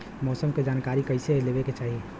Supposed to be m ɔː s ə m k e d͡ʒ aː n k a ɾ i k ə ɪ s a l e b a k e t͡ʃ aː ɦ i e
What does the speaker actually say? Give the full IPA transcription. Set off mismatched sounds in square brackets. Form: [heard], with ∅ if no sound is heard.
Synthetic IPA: m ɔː s ə m k e d͡ʒ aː n k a ɾ i k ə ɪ s [e] l e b [e] k e t͡ʃ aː ɦ i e